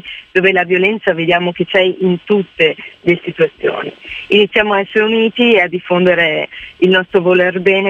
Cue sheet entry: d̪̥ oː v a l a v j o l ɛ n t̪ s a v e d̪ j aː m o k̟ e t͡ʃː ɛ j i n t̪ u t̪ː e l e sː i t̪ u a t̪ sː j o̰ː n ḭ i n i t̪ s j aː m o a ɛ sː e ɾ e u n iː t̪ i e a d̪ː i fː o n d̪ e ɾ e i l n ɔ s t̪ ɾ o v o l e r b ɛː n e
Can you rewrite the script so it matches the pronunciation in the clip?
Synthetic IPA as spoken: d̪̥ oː v e l a v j o l ɛ n t̪ s a v e d̪ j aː m o k̟ e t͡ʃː ɛ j i n t̪ u t̪ː e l e s i t̪ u a t̪ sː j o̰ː n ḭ i n i t̪ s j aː m o a ɛ sː e ɾ e u n iː t̪ i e a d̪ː i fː o n d̪ e ɾ e i l n ɔ s t̪ ɾ o v o l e r b ɛː n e